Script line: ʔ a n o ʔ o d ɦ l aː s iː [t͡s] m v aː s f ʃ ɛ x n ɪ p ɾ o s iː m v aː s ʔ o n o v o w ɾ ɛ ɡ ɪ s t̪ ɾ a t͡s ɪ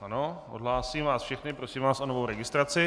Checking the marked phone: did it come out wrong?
yes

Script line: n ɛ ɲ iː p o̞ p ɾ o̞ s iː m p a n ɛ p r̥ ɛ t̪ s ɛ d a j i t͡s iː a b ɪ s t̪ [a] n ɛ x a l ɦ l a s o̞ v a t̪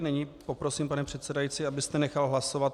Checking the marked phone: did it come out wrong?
yes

